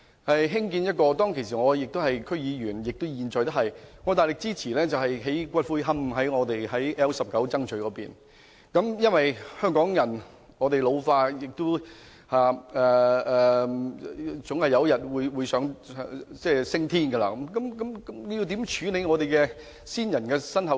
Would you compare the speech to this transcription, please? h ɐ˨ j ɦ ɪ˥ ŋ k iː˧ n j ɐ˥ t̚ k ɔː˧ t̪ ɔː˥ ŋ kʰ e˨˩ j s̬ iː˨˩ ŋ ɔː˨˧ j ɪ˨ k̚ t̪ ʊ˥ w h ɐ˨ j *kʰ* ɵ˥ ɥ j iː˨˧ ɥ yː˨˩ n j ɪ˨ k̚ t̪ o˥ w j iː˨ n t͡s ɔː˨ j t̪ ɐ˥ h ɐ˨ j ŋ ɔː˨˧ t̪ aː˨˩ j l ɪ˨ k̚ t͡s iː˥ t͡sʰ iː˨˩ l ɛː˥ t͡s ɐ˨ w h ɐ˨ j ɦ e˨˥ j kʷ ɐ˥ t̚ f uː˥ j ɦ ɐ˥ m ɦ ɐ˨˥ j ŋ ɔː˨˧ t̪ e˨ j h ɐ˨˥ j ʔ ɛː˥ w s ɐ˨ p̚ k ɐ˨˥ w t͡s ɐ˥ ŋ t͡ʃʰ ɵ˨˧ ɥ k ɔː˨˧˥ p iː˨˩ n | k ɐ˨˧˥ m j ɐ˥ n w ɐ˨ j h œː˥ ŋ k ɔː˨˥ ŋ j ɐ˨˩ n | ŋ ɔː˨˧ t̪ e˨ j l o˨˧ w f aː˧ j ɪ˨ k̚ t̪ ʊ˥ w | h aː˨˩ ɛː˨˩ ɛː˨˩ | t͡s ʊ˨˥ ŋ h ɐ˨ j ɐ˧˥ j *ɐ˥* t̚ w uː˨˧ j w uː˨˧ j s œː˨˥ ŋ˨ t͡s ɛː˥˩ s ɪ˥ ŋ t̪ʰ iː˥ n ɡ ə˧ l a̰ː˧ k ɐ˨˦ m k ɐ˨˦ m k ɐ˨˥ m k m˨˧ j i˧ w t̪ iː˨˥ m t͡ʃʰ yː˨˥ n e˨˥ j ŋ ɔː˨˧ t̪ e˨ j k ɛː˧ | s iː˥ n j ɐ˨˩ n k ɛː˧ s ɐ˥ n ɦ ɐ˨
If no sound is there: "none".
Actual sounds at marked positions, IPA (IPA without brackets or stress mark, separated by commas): kʰ, ɐ˨